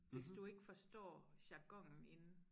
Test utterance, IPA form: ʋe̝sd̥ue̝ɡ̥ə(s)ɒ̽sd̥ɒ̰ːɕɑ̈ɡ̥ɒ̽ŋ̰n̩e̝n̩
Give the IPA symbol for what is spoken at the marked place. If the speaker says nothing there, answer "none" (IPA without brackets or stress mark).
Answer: f